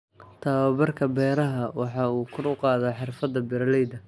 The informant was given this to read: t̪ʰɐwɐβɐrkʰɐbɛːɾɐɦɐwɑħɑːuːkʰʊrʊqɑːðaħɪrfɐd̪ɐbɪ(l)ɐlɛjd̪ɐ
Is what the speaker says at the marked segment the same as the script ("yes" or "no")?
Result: no